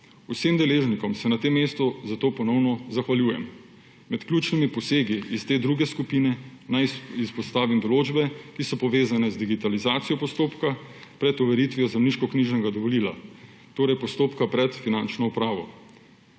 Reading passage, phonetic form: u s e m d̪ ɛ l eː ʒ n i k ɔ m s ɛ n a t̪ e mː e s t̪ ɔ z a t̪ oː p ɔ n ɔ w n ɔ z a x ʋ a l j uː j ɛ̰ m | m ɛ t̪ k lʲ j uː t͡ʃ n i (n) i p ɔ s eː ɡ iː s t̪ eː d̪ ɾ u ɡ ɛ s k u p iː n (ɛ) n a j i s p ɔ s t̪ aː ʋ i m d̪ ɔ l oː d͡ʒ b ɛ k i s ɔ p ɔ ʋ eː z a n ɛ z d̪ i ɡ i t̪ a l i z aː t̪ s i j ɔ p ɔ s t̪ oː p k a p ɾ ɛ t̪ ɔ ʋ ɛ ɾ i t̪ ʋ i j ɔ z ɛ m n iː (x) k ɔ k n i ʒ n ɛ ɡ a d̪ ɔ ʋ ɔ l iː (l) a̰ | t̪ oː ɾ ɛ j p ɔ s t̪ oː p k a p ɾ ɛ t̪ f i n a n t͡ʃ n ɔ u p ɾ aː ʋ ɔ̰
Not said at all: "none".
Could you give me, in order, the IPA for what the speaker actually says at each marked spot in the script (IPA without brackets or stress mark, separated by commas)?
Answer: m, ɛ, ʃ, l